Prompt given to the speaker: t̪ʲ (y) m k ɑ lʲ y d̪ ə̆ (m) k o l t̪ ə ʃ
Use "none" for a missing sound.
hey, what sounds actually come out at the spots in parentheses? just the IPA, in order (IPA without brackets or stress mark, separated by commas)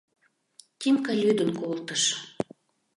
i, n